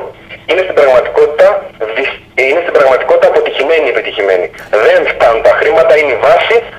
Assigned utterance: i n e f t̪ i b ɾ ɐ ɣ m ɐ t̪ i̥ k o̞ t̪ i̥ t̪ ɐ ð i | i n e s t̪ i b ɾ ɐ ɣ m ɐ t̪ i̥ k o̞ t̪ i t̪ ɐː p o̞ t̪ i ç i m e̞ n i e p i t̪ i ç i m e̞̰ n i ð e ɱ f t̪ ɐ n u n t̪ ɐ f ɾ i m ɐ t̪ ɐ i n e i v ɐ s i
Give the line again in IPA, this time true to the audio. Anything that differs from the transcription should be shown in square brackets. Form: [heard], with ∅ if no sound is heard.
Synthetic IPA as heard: i n e [s] t̪ i b ɾ ɐ ɣ m ɐ t̪ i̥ k o̞ t̪ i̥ t̪ ɐ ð i | i n e s t̪ i b ɾ ɐ ɣ m ɐ t̪ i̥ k o̞ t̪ i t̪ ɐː p o̞ t̪ i ç i m e̞ n i e p i t̪ i ç i m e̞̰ n i ð e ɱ f t̪ ɐ n u n t̪ ɐ [x] ɾ i m ɐ t̪ ɐ i n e i v ɐ s i